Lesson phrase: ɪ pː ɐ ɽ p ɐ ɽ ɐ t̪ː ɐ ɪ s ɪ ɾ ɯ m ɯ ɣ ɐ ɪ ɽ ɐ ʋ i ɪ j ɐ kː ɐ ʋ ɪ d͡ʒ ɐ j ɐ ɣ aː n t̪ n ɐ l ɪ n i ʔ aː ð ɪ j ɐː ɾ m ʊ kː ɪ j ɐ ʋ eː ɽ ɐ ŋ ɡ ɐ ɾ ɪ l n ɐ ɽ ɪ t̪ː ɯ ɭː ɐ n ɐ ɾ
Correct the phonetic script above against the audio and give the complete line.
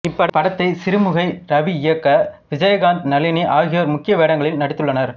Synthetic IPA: ɪ pː ɐ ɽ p ɐ ɽ ɐ t̪ː ɐ ɪ s ɪ ɾ ɯ m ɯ ɣ ɐ ɪ ɾ ɐ ʋ i ɪ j ɐ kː ɐ ʋ ɪ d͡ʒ ɐ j ɐ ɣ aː n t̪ n ɐ l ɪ n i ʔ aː ɣ ɪ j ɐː ɾ m ʊ kː ɪ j ɐ ʋ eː ɽ ɐ ŋ ɡ ɐ ɭ ɪ l n ɐ ɽ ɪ t̪ː ɯ ɭː ɐ n ɐ ɾ